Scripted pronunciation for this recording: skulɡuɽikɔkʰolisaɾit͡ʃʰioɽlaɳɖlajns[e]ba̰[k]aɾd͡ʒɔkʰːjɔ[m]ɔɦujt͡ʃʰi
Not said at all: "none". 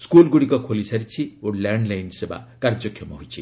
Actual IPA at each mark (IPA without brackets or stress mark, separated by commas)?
e, k, m